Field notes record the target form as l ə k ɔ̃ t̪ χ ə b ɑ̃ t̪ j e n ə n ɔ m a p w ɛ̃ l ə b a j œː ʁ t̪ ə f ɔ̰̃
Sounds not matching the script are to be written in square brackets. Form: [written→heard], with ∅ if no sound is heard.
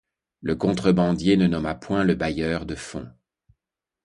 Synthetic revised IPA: l ə k ɔ̃ t̪ χ ə b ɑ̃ [t̪→d̪] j e n ə n ɔ m a p w ɛ̃ l ə b a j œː ʁ [t̪→d̪] ə f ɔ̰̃